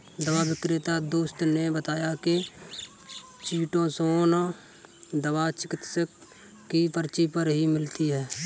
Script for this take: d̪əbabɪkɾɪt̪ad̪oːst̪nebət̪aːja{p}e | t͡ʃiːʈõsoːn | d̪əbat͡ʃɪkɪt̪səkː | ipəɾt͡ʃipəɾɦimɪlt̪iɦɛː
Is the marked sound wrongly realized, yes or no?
yes